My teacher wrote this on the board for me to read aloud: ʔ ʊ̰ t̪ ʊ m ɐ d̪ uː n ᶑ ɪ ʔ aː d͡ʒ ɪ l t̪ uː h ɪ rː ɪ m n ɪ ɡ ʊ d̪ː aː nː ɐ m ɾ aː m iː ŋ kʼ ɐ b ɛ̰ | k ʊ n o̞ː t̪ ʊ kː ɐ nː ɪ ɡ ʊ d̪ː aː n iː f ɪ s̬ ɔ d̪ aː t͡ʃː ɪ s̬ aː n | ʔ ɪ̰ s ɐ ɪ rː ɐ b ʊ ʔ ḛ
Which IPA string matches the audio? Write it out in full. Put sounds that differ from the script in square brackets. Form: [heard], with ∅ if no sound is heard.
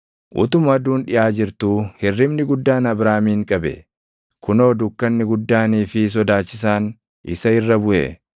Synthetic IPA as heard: ʔ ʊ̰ t̪ ʊ m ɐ d̪ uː n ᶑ ɪ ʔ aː d͡ʒ ɪ [ɾ] t̪ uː h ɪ rː ɪ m n ɪ ɡ ʊ d̪ː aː [n] ɐ [b] ɾ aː m iː ŋ kʼ ɐ b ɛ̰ | k ʊ n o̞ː [d̪] ʊ kː ɐ nː ɪ ɡ ʊ d̪ː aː n iː f ɪ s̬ ɔ d̪ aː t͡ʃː ɪ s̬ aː n | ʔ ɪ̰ s ɐ ɪ rː ɐ b ʊ ʔ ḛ